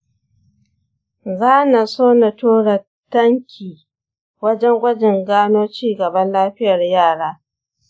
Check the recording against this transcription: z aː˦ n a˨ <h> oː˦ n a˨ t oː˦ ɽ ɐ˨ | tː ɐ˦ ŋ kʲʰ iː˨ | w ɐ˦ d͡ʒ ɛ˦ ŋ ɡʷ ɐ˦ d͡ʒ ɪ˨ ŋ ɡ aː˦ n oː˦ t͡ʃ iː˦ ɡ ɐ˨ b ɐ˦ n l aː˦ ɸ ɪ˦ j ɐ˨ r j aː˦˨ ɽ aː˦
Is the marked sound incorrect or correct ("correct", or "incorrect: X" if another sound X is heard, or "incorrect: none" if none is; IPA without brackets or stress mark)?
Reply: incorrect: s